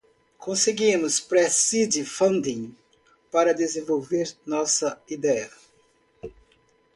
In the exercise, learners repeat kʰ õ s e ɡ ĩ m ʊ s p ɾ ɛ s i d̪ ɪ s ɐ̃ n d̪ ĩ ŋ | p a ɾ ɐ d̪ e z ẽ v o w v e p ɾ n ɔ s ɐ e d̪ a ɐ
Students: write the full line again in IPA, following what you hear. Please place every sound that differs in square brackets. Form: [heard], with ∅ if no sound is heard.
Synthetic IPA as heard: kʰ õ s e ɡ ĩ m ʊ s p ɾ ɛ s i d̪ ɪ [f] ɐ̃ n d̪ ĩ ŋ | p a ɾ ɐ d̪ e z ẽ v o w v e [∅] ɾ n ɔ s ɐ [i] d̪ [ɛ] ɐ